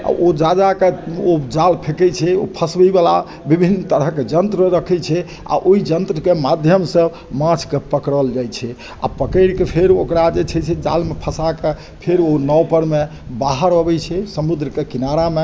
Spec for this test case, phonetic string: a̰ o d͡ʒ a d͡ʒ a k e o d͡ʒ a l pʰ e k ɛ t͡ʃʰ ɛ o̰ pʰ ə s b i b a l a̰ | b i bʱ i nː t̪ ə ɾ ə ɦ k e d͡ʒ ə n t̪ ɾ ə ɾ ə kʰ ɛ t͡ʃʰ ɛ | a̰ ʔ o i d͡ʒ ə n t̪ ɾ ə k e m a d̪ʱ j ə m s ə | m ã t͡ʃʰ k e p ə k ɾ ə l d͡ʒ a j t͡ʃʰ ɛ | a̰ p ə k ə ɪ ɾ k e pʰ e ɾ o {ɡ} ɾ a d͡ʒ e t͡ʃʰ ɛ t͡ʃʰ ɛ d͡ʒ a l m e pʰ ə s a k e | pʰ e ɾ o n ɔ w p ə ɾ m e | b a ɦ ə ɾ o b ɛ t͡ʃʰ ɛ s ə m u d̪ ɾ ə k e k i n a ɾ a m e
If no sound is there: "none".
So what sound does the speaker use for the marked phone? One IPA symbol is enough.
k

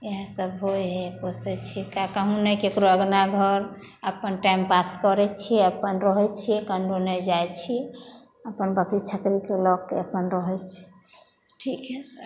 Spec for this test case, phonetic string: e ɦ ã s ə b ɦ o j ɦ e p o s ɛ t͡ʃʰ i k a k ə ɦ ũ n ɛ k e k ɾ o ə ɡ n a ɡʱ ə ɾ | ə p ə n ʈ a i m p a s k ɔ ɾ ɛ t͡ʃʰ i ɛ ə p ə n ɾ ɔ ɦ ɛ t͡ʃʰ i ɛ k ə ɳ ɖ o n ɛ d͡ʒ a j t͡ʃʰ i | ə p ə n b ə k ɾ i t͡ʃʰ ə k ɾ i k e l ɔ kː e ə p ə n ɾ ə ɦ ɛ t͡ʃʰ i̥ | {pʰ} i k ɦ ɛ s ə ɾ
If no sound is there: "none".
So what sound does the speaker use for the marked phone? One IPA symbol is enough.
ʈʰ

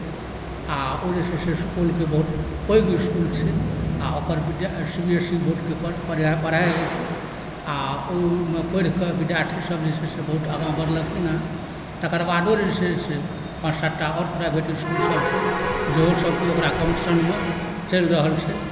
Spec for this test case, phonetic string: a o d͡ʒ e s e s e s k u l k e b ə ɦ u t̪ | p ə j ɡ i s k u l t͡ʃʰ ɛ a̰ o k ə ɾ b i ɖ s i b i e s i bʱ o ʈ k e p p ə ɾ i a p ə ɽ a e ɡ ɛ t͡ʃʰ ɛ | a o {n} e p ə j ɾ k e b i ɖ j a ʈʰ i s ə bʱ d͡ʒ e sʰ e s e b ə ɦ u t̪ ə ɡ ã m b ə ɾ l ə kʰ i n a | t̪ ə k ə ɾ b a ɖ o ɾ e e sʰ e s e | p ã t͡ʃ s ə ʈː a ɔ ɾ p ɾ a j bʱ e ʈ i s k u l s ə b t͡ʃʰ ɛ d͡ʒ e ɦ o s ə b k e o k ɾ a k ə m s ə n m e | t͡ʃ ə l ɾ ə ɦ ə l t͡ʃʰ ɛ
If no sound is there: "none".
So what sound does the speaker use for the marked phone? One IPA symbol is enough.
m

